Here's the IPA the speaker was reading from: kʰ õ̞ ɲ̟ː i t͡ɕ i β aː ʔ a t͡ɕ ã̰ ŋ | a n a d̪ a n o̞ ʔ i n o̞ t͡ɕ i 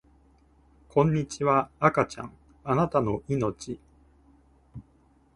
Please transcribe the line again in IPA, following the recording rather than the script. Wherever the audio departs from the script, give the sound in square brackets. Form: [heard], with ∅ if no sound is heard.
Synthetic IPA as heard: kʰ õ̞ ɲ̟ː i t͡ɕ i β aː [k] a t͡ɕ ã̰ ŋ | a n a [t̪] a n o̞ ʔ i n o̞ t͡ɕ i

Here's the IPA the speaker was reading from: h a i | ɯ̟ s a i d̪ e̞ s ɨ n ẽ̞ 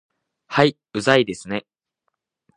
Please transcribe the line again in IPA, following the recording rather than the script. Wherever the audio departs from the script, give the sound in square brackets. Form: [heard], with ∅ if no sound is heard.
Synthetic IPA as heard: h a i | ɯ̟ [z] a i d̪ e̞ s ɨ n [e̞]

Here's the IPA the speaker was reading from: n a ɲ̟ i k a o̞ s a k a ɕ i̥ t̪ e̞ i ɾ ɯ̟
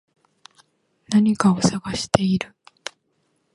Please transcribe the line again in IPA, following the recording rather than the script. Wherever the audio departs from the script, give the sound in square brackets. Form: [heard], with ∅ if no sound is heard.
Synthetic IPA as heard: n a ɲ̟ i k a o̞ s a [ɡ] a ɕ i̥ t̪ e̞ i ɾ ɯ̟

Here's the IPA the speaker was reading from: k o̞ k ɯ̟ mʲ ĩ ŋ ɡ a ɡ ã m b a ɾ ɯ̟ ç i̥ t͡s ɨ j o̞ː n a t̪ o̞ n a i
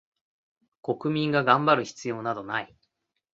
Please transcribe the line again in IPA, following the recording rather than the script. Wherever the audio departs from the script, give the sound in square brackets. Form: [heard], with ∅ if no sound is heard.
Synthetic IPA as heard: k o̞ k ɯ̟ mʲ ĩ ŋ ɡ a ɡ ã m b a ɾ ɯ̟ ç i̥ t͡s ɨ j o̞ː n a [d̪] o̞ n a i

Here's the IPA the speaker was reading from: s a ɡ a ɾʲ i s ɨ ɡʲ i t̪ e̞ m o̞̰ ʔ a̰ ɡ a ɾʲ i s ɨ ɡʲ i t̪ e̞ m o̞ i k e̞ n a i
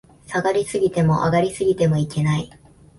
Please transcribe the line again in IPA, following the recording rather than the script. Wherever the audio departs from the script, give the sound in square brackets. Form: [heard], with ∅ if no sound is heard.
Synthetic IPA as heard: s a ɡ a ɾʲ i s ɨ ɡʲ i t̪ e̞ m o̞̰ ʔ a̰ ɡ a ɾʲ i s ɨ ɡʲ i t̪ e̞ m o̞ i k e̞ n a i

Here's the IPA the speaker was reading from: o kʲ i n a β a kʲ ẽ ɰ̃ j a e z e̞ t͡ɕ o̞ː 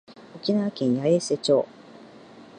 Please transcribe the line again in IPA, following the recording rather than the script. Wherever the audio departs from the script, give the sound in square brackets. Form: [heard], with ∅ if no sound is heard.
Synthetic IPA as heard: o kʲ i n a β a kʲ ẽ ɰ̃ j a e [s] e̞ t͡ɕ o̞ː

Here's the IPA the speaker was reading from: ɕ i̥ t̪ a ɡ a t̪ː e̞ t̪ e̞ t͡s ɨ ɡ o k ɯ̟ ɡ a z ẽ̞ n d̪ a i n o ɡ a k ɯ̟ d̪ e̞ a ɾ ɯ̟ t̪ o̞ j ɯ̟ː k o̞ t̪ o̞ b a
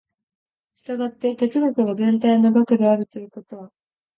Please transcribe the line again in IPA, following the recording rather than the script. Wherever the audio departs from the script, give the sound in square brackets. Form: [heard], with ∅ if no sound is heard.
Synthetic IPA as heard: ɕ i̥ t̪ a ɡ a t̪ː e̞ t̪ e̞ t͡s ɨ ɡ o k ɯ̟ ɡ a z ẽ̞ n [t̪] a i n o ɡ a k ɯ̟ d̪ e̞ a ɾ ɯ̟ t̪ o̞ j [ɯ̟] k o̞ t̪ o̞ [β] a

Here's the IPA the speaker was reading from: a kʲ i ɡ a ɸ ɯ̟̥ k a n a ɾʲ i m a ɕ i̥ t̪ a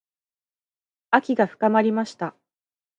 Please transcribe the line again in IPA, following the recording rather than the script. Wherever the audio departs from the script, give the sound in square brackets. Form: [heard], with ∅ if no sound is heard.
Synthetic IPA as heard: a kʲ i ɡ a ɸ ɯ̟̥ k a [m] a ɾʲ i m a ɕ i̥ t̪ a

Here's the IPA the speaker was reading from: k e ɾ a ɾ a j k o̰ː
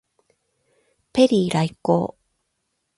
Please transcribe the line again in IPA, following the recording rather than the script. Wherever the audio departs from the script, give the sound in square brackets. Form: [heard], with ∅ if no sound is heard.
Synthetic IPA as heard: [p] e ɾ [i] ɾ a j k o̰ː

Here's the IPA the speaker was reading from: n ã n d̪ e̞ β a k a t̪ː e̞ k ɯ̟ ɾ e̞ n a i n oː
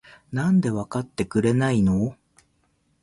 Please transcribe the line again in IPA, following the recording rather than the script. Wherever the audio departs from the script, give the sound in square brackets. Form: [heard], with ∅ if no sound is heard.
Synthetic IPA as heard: n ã n d̪ e̞ β a k a t̪ː e̞ k ɯ̟ ɾ e̞ n a i n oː

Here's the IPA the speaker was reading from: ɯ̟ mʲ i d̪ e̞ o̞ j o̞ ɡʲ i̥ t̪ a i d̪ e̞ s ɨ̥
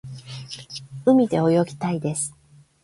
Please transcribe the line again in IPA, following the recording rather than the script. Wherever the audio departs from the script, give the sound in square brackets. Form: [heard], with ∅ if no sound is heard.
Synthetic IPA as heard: ɯ̟ mʲ i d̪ e̞ o̞ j o̞ ɡʲ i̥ t̪ a i d̪ e̞ s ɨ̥

